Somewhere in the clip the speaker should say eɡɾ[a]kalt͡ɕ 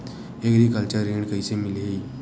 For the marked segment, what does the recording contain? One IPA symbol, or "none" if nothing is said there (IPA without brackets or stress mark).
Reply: i